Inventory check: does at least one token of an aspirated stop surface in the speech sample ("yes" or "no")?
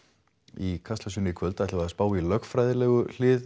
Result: yes